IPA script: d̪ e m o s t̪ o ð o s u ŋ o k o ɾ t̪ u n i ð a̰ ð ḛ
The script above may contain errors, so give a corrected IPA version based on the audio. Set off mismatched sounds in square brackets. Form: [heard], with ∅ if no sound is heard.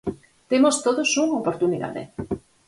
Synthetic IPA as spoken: [t̪] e m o s t̪ o ð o s u ŋ o [p] o ɾ t̪ u n i ð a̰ ð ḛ